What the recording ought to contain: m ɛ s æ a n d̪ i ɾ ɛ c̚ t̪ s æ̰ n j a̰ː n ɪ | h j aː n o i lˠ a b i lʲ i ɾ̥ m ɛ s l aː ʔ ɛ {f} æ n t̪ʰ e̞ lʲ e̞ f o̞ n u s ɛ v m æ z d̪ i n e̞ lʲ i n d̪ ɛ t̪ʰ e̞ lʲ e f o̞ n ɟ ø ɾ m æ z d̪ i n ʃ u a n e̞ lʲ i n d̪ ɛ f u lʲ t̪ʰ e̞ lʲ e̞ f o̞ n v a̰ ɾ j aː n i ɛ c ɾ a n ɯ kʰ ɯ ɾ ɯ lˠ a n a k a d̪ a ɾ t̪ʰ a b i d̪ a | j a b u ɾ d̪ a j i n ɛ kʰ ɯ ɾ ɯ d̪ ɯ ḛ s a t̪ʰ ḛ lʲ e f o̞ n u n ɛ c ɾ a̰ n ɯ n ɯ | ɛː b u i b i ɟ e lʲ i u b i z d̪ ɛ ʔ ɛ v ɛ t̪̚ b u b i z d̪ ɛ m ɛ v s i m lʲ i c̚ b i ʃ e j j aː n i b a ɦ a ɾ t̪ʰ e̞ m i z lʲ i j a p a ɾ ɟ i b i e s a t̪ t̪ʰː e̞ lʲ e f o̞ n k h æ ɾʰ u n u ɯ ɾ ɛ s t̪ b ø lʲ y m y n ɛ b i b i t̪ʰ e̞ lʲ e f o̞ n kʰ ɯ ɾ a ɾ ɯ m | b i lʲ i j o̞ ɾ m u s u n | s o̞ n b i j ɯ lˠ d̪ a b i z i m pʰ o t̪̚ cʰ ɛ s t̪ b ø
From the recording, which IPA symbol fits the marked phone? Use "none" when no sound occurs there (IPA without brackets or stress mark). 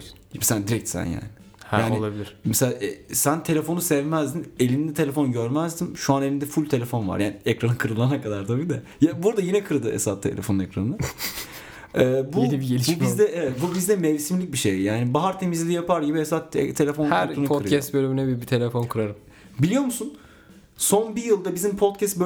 s